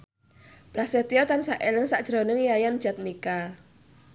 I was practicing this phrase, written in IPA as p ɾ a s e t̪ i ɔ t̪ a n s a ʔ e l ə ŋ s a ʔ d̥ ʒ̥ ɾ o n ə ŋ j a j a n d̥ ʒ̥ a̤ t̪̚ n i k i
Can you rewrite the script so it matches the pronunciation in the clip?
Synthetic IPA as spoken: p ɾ a s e t̪ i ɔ t̪ a n s a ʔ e l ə ŋ s a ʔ d̥ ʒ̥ ɾ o n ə ŋ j a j a n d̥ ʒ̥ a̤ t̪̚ n i k a